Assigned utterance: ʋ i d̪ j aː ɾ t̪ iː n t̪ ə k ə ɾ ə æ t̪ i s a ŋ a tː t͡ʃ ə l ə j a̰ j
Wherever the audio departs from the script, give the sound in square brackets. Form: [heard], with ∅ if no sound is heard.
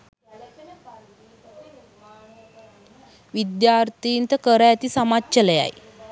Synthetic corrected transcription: ʋ i d̪ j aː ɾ t̪ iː n t̪ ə k ə ɾ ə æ t̪ i s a [m] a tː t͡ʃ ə l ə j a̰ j